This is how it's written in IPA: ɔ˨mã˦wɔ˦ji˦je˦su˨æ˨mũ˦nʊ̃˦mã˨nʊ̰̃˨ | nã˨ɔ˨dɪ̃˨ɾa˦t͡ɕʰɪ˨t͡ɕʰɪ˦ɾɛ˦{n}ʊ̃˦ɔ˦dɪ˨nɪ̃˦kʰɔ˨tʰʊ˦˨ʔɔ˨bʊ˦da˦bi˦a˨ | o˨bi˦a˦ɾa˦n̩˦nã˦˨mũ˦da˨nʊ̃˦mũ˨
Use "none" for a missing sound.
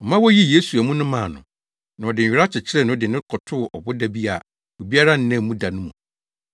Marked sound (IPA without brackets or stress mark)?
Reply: n